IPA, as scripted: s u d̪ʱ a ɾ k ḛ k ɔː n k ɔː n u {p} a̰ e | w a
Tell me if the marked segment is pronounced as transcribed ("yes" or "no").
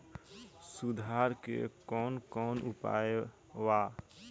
yes